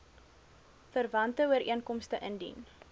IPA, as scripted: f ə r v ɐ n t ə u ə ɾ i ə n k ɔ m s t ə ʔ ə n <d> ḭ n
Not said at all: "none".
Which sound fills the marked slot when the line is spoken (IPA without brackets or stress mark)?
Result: d